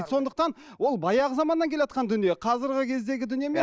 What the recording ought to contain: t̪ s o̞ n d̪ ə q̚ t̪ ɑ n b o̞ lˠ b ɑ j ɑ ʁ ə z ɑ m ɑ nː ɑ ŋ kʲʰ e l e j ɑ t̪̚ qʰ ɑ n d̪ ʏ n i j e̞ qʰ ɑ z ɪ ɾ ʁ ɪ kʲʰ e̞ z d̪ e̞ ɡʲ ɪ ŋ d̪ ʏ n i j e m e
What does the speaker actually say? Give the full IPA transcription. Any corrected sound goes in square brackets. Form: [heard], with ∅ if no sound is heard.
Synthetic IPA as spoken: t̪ s o̞ n d̪ ə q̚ t̪ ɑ n [w] o̞ lˠ b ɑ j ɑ ʁ ə z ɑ m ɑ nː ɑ ŋ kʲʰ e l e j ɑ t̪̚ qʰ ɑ n d̪ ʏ n i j e̞ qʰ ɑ z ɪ ɾ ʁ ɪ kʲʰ e̞ z d̪ e̞ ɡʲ ɪ [∅] d̪ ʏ n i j e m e